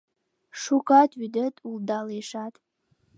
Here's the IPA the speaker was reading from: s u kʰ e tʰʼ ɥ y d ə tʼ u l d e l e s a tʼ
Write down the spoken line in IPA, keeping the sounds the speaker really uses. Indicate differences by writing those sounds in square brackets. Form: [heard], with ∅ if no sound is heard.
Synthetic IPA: [ʂ] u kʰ [a] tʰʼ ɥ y d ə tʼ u l d [a] l e [ʂ] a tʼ